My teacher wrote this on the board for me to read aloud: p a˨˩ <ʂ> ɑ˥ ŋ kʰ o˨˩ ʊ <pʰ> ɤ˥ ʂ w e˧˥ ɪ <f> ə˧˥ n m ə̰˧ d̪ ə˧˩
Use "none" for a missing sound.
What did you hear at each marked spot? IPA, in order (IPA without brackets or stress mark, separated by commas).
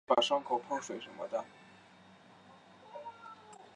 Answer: ʂ, pʰ, ʂ